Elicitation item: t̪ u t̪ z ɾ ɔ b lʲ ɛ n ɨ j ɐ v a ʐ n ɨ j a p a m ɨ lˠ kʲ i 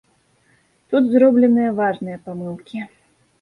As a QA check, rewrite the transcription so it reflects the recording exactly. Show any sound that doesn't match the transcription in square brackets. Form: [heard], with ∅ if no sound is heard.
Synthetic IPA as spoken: t̪ u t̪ z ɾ ɔ b lʲ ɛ n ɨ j ɐ v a ʐ n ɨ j [ɐ] p a m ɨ lˠ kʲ i